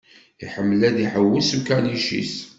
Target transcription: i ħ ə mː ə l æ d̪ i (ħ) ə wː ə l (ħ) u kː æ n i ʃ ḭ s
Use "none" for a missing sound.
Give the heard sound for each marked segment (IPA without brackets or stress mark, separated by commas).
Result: ħ, s